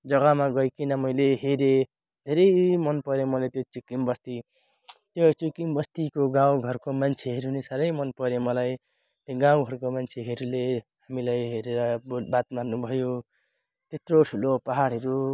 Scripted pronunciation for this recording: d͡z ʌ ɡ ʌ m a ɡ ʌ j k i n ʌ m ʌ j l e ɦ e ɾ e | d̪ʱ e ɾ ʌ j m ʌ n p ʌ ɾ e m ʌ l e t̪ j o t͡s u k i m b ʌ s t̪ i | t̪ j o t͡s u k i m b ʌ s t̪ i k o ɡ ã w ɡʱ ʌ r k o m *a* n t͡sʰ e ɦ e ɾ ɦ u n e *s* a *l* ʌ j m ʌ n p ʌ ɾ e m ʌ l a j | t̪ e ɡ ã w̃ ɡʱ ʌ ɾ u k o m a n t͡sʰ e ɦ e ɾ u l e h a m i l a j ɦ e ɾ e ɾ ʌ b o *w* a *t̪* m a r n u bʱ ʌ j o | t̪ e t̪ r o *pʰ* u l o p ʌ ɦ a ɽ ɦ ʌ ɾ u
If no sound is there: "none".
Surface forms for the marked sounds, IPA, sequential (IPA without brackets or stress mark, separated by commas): a, s, ɾ, b, t̪, ʈʰ